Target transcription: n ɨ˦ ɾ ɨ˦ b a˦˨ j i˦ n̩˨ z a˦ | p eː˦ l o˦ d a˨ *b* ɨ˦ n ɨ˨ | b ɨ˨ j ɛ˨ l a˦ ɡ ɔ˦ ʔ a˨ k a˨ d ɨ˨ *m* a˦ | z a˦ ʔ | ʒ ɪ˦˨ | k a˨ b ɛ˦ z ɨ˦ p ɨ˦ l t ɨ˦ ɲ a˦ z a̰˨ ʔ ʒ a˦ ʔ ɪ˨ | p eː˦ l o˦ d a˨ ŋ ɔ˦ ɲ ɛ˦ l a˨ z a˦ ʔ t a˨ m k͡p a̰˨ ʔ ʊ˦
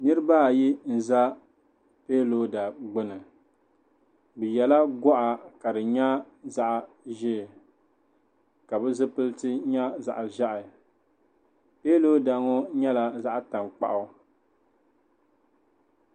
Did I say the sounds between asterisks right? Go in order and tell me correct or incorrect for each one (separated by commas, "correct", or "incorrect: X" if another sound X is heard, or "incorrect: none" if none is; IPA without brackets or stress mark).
incorrect: ɡ͡b, incorrect: ɲ